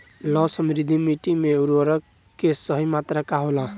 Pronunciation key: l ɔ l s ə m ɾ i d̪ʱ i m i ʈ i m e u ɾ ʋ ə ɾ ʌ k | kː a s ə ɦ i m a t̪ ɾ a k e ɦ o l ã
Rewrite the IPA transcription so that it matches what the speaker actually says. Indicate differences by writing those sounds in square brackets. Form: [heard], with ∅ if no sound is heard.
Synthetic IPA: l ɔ [∅] s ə m ɾ i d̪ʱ i m i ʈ i m e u ɾ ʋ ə ɾ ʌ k | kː [e] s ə ɦ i m a t̪ ɾ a k [a] ɦ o l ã